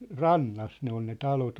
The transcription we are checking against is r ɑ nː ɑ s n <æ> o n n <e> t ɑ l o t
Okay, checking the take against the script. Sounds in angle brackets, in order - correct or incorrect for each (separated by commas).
incorrect, correct